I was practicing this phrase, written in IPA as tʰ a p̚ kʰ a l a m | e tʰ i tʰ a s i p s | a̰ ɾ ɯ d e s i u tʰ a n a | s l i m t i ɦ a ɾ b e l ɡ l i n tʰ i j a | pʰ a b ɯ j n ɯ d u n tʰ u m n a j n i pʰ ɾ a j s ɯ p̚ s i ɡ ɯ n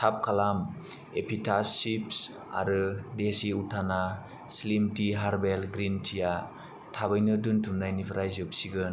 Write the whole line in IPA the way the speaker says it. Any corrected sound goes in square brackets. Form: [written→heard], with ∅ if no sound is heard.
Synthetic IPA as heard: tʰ a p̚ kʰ a l a m | e [tʰ→pʰ] i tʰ a s i p s | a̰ ɾ ɯ d e s i u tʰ a n a | s l i m t i ɦ a ɾ b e l ɡ [l→ɾ] i n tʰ i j a | [pʰ→tʰ] a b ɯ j n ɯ d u n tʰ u m n a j n i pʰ ɾ a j [s→z] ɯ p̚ s i ɡ ɯ n